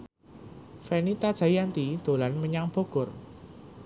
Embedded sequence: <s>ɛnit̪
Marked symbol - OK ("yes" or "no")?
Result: no